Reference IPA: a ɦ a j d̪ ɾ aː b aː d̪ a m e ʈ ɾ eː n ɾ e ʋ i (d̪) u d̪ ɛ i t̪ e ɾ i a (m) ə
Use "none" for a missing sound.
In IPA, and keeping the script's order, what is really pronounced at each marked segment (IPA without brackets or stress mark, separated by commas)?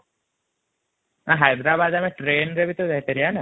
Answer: t̪, n